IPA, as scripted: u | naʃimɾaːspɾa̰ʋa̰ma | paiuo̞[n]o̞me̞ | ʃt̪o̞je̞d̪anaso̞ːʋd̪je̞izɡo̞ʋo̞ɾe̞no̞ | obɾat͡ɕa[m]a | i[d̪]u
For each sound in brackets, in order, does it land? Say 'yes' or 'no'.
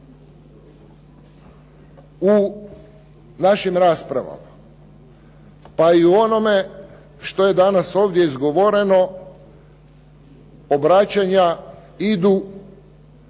yes, no, yes

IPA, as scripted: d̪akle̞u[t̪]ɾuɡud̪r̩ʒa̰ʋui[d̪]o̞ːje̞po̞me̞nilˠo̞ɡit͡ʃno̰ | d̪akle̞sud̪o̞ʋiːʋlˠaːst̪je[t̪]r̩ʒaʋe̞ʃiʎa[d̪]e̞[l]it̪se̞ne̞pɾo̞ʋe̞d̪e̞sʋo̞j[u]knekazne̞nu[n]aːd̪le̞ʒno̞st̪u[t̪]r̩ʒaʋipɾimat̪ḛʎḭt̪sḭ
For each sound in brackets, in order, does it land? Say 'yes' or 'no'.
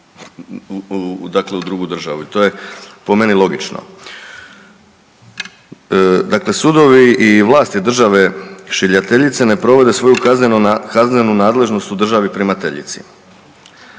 no, no, no, no, no, yes, yes, no

